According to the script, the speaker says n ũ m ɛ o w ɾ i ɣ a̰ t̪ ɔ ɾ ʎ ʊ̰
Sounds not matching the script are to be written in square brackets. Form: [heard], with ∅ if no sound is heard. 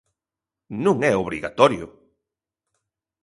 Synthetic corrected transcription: n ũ [ŋ] ɛ o [β] ɾ i ɣ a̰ t̪ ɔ ɾ [j] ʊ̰